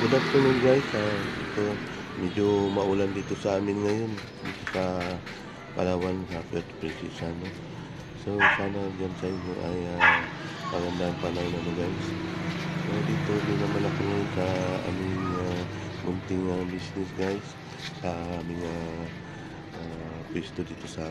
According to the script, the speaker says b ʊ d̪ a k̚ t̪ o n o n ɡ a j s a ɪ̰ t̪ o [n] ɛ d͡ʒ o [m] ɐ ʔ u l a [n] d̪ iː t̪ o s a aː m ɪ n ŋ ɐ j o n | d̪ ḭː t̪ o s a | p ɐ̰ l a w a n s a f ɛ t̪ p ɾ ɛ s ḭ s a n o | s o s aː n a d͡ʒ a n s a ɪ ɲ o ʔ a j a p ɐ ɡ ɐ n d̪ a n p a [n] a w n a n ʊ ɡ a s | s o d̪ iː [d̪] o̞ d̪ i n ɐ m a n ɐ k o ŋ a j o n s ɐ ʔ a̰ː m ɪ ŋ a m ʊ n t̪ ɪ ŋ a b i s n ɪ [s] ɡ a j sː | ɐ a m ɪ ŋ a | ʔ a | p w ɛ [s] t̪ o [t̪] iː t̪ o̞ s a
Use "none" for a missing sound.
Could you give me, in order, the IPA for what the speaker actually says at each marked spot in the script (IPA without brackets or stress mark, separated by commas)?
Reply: m, m, n, n, t̪, s, s, d̪